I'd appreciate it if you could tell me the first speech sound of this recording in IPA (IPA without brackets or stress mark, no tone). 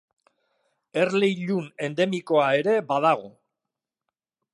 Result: e̞